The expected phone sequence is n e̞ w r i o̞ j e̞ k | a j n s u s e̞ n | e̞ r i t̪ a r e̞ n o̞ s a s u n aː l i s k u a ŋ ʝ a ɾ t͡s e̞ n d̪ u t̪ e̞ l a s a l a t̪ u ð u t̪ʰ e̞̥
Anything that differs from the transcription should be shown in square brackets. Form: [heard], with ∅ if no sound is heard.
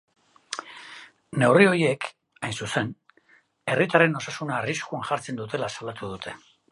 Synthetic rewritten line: n e̞ w r i o̞ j e̞ k | a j n s u s e̞ n | e̞ r i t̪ a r e̞ n o̞ s a s u n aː [r] i s k u a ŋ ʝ a ɾ t͡s e̞ n d̪ u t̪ e̞ l a s a l a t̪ u ð u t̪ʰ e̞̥